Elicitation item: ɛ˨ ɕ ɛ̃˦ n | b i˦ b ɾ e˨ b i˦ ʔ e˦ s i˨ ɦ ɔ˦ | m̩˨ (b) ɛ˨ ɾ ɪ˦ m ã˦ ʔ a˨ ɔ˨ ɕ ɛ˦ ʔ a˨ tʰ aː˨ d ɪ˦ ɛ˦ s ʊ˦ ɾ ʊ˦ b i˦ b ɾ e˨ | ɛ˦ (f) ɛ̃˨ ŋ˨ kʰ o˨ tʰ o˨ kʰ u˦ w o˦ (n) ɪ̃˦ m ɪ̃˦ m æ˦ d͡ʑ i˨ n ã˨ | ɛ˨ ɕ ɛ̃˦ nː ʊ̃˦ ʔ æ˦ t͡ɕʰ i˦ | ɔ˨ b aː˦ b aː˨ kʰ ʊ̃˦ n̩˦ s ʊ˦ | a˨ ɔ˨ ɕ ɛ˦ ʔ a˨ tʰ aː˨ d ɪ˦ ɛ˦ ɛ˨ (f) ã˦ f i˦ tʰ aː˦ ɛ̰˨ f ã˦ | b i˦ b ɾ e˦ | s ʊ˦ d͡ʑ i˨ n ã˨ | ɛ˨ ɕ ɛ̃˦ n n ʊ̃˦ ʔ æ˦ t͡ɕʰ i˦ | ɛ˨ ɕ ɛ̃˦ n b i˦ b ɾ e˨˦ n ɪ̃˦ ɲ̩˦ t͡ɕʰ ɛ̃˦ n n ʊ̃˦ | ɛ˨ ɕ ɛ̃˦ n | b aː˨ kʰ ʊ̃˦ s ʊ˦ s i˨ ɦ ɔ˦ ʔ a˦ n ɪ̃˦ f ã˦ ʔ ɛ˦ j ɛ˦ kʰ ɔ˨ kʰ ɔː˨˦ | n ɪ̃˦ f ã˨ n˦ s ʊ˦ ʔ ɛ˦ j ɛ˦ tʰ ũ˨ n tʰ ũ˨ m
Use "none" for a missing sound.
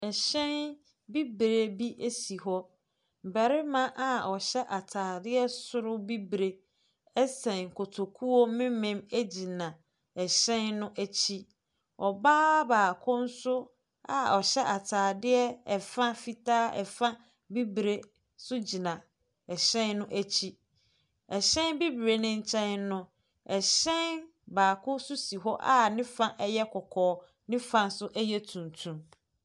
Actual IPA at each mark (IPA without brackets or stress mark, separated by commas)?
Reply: b, s, m, f